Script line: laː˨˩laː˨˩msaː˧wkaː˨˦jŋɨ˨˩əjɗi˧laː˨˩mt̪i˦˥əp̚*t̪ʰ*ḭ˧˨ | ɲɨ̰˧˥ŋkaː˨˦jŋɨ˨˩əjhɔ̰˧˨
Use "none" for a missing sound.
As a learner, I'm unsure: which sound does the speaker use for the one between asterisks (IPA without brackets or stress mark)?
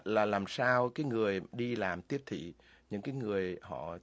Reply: t̪ʰ